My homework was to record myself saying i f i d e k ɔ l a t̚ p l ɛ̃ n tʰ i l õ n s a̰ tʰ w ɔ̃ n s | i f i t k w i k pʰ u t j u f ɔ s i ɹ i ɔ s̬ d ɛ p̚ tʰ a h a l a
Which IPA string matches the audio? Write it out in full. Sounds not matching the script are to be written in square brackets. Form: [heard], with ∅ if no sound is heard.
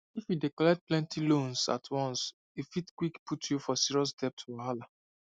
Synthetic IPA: i f i d e k ɔ l [ɛ] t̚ p l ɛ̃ n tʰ i l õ n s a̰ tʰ w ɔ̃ n s | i f i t k w i k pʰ u t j u f ɔ s i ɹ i ɔ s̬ d ɛ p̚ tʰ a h a l a